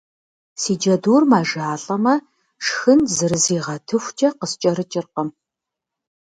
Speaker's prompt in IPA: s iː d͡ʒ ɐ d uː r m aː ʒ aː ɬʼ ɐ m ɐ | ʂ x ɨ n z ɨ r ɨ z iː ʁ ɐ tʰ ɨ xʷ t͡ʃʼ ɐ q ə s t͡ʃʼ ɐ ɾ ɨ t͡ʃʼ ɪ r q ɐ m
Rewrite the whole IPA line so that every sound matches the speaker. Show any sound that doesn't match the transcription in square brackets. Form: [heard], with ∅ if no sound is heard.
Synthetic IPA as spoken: s iː d͡ʒ ɐ d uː r m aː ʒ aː ɬʼ ɐ m ɐ | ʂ x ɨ n z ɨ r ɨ z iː ʁ ɐ tʰ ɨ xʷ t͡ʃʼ ɐ q ə s t͡ʃʼ ɐ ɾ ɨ t͡ʃʼ ɪ r q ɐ m